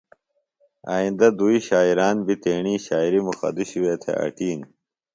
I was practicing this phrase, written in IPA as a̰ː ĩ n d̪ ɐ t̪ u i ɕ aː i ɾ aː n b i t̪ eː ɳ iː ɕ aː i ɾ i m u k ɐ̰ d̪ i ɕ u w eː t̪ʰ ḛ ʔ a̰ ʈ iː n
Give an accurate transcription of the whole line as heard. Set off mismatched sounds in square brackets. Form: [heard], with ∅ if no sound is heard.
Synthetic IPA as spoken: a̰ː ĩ n d̪ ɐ [d̪] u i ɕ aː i ɾ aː n b i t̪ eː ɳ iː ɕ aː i ɾ i m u [x] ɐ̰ d̪ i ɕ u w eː t̪ʰ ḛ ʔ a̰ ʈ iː n